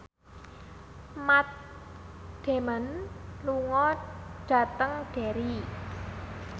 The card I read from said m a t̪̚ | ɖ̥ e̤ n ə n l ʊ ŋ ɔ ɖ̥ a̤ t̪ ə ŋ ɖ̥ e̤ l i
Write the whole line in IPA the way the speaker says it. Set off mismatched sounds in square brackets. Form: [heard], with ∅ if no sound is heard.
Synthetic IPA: m a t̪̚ | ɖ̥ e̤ [m] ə n l [u] ŋ ɔ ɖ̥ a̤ t̪ ə ŋ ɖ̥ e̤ [ɾ] i